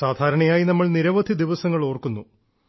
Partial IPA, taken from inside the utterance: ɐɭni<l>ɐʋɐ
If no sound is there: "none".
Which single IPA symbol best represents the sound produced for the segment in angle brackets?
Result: ɾ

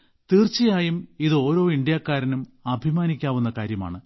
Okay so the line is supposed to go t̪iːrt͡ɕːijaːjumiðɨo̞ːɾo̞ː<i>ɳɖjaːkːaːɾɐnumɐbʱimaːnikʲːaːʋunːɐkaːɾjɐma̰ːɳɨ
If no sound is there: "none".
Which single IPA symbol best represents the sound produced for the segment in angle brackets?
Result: i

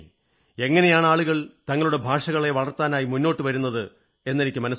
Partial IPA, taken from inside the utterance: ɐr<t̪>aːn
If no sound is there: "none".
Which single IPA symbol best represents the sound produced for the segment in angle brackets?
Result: t̪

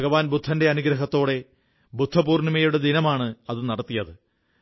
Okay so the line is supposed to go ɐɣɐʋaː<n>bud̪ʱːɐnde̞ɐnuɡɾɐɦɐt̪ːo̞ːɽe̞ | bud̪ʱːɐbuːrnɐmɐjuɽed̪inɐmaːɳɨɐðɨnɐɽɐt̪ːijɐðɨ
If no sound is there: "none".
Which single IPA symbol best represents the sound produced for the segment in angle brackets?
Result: n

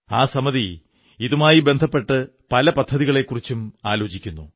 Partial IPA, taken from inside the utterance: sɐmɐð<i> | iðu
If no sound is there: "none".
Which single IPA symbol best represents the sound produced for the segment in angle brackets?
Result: i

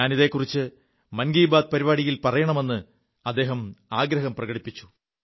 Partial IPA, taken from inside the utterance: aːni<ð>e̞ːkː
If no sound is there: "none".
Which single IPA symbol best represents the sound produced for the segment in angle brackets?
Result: ð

